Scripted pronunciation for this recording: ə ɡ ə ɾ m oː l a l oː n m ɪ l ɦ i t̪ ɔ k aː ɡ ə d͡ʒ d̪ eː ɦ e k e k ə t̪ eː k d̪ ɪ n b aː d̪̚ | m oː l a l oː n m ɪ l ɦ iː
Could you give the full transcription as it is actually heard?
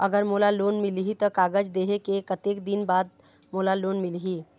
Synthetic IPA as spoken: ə ɡ ə ɾ m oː l a l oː n m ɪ l ɦ i t̪ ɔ k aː ɡ ə d͡ʒ d̪ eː ɦ e k e k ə t̪ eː k d̪ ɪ n b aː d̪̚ | m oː l a l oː n m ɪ l ɦ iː